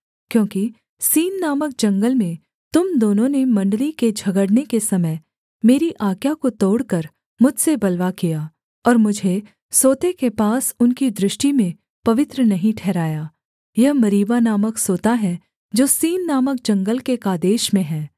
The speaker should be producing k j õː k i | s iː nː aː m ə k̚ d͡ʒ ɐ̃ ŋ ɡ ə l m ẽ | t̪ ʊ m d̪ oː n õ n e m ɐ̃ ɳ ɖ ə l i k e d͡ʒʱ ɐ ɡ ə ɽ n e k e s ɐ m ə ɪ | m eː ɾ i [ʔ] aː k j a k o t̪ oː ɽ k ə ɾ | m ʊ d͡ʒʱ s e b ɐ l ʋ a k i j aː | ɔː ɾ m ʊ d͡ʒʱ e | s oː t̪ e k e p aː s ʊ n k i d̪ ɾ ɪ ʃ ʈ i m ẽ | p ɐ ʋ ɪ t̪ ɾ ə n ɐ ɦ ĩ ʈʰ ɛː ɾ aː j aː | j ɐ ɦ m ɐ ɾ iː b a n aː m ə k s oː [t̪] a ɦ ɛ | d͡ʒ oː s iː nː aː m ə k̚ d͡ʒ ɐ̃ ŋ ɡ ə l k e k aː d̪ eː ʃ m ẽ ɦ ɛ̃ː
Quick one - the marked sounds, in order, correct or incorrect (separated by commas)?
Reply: correct, correct